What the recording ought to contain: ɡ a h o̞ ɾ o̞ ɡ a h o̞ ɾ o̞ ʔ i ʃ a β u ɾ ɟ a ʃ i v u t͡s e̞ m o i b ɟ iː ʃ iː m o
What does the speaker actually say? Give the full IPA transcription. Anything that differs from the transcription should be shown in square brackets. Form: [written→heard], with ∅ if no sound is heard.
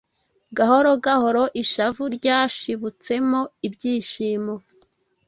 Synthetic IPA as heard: ɡ a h o̞ ɾ o̞ ɡ a h o̞ ɾ o̞ ʔ i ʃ a [β→v] u ɾ ɟ a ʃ i [v→β] u t͡s e̞ m o i b ɟ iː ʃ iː m o